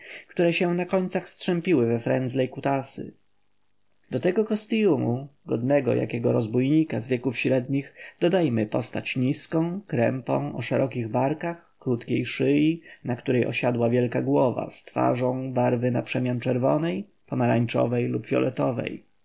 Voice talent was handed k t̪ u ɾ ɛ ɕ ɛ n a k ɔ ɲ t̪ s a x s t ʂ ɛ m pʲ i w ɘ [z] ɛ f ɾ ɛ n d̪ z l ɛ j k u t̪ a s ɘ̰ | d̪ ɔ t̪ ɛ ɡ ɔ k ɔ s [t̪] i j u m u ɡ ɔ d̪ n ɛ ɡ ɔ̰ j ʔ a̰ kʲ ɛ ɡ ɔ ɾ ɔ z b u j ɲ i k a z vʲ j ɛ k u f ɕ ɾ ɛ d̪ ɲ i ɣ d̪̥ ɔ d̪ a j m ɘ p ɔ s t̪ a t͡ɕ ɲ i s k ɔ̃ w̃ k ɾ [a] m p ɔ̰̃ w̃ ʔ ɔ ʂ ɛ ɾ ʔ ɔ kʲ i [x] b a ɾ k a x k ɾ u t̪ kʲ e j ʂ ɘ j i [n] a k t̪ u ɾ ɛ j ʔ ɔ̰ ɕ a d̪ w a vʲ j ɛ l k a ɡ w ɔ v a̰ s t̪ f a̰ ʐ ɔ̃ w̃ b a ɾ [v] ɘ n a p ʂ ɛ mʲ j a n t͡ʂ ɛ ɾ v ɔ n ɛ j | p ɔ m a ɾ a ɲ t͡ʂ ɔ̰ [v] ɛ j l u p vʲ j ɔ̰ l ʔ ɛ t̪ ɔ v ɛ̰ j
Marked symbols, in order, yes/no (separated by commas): no, yes, no, no, yes, yes, yes